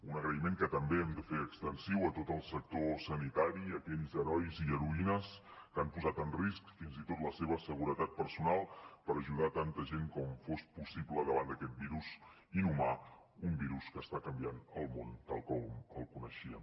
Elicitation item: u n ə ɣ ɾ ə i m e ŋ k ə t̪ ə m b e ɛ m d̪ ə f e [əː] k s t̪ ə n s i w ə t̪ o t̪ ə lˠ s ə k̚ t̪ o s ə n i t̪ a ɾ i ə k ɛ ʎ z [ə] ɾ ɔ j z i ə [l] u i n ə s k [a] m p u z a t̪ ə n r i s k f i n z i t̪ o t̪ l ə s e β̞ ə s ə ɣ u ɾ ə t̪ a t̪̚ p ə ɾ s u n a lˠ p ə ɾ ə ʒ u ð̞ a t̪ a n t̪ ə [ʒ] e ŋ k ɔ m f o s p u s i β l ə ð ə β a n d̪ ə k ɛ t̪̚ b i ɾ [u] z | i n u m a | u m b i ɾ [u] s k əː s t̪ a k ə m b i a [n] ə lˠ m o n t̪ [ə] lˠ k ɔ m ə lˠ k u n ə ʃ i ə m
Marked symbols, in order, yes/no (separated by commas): no, yes, no, yes, yes, yes, yes, yes, no